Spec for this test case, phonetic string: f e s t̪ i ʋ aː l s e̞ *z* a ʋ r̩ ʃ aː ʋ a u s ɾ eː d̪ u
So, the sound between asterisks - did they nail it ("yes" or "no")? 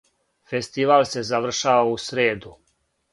yes